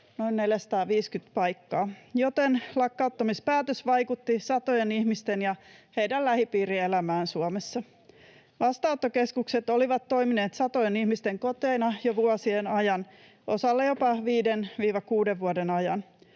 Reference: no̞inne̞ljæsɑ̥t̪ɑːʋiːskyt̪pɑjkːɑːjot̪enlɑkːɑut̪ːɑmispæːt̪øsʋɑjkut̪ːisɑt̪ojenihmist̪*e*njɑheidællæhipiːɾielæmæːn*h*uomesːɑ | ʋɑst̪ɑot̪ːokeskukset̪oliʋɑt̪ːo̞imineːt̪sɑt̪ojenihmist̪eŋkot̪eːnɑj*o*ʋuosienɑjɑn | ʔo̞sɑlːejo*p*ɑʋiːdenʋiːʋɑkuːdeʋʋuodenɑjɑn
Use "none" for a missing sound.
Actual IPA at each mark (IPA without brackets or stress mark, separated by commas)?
e, s, o, p